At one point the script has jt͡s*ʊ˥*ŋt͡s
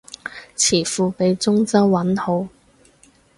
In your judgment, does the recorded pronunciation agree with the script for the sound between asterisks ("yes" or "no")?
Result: yes